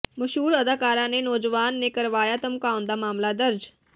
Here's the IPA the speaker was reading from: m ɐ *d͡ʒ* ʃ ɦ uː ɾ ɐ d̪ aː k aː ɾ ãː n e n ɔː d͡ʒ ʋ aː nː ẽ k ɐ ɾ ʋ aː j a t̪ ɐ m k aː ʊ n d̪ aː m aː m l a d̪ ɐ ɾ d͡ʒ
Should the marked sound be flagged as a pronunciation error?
yes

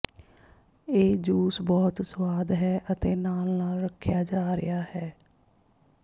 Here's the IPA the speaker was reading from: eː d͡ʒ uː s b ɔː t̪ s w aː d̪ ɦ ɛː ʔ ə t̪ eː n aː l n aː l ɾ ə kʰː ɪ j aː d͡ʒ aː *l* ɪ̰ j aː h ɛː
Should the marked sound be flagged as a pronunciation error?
yes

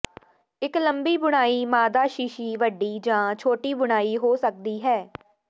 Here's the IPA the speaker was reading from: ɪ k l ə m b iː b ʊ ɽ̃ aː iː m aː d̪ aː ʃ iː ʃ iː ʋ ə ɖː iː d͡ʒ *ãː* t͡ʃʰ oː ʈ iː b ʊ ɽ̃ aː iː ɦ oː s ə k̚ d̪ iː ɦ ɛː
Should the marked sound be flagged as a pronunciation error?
no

